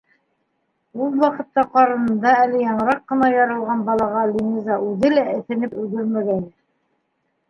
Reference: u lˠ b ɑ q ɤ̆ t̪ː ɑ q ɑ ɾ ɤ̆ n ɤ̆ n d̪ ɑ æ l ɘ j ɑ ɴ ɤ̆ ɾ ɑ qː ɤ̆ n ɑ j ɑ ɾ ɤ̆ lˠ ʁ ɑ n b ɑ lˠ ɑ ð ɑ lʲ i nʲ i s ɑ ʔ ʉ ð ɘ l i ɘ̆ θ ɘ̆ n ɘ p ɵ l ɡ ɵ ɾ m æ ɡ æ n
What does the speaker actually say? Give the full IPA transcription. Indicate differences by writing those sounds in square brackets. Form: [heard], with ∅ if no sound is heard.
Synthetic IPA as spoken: u lˠ [w] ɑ q ɤ̆ t̪ː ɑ q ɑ ɾ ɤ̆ n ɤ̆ n d̪ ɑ æ l ɘ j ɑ ɴ ɤ̆ ɾ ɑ qː ɤ̆ n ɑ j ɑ ɾ ɤ̆ lˠ ʁ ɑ n b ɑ lˠ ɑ [ʁ] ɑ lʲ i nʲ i [z] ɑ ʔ ʉ ð ɘ l [æ] ɘ̆ θ ɘ̆ n ɘ p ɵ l ɡ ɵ ɾ m æ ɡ æ n